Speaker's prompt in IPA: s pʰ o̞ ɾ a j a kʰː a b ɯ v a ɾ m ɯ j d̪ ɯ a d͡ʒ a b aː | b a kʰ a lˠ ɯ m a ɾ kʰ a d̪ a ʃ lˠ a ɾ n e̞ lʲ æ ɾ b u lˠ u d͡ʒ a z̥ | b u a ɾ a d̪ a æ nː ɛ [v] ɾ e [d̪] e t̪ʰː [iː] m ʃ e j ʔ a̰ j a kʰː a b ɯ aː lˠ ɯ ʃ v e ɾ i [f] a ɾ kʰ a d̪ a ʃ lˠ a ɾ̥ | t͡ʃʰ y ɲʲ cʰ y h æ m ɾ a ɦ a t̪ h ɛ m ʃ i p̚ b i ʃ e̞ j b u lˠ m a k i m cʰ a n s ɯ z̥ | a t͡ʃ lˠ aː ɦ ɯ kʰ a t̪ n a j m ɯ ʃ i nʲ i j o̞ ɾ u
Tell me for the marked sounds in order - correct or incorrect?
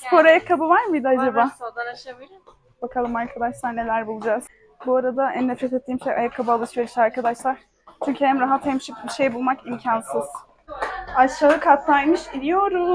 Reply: incorrect, incorrect, correct, incorrect

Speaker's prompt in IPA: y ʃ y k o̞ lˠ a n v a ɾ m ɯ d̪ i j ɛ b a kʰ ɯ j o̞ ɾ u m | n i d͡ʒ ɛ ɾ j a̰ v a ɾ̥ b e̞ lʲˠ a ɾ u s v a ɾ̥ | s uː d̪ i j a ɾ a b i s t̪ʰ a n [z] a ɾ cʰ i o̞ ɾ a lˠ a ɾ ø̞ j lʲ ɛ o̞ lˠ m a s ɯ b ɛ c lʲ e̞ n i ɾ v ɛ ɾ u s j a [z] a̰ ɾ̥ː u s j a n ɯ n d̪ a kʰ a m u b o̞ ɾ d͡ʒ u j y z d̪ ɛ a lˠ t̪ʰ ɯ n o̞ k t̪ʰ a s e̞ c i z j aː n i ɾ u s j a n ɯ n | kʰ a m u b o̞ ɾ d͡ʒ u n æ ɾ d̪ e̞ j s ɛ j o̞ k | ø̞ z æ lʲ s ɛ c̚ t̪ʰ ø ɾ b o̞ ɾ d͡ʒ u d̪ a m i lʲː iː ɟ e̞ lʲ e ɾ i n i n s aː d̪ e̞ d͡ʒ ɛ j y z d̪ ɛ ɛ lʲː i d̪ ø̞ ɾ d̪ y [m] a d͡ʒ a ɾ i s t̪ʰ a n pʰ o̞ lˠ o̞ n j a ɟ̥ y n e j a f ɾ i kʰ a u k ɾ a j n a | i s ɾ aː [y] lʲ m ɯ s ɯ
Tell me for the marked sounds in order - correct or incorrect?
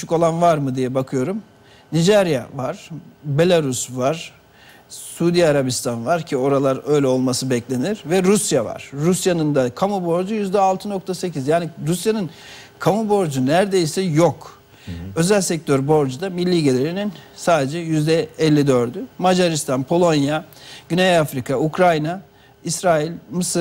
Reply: incorrect, incorrect, correct, incorrect

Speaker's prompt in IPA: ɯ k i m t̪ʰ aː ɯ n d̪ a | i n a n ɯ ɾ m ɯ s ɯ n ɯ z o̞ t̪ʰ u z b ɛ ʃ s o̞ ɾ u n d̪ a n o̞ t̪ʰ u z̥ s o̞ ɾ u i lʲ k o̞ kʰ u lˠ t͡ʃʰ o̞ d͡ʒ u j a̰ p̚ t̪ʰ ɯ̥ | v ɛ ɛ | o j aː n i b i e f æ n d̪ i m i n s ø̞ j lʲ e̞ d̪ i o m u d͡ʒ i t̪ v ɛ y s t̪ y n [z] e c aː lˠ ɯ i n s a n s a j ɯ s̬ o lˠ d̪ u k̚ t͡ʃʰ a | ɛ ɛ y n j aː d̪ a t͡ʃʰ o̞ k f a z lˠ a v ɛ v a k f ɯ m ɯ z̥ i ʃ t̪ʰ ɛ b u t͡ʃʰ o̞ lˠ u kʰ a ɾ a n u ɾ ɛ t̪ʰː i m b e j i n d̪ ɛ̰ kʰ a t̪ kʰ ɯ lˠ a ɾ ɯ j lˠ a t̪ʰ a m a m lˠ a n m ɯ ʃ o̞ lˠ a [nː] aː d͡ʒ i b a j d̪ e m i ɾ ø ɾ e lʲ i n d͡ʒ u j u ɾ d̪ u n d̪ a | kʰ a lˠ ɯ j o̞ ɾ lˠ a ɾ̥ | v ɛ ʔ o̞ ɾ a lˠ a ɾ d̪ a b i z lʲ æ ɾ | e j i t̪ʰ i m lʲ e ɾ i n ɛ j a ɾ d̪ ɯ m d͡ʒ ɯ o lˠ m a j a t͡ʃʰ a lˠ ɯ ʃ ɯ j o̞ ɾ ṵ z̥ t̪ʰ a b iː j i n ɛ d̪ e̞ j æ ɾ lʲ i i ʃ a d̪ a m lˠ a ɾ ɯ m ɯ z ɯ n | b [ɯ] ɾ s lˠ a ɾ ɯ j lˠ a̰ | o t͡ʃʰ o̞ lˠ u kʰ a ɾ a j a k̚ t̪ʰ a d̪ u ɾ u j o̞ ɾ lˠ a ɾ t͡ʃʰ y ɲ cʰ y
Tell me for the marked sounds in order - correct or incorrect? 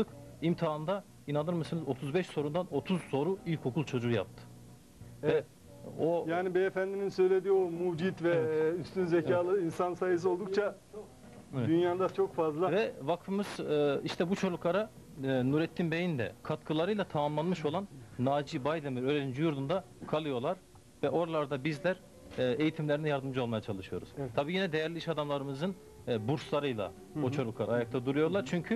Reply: correct, correct, incorrect

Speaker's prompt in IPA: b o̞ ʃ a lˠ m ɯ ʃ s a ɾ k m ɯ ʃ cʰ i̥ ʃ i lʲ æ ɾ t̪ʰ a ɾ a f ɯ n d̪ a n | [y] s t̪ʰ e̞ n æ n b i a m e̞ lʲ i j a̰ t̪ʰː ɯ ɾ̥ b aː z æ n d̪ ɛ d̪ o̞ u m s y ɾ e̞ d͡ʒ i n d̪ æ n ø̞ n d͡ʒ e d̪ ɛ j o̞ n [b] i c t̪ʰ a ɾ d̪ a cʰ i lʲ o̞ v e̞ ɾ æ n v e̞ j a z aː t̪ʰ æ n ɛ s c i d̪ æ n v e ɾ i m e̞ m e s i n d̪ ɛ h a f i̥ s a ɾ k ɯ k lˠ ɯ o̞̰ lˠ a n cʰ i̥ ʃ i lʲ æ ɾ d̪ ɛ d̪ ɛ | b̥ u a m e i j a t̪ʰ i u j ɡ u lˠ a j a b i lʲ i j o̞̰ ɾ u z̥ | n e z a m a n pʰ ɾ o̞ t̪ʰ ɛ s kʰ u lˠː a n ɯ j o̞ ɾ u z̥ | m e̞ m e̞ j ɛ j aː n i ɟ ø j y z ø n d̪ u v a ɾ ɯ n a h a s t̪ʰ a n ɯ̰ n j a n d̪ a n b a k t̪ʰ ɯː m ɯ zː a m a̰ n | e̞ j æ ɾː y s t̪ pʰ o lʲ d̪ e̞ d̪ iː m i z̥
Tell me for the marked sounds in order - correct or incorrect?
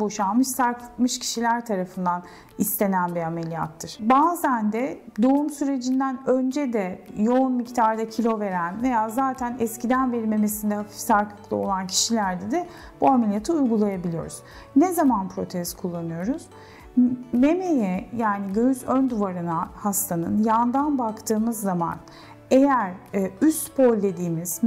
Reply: incorrect, incorrect

